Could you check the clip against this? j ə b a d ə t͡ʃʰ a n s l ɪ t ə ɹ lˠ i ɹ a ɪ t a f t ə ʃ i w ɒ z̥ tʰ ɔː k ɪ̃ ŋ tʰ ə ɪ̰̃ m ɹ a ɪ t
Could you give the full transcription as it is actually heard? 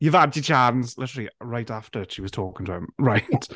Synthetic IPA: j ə v a d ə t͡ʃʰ a n s l ɪ t ə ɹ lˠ i ɹ a ɪ t a f t ə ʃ i w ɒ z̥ tʰ ɔː k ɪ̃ ŋ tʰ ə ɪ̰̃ m ɹ a ɪ t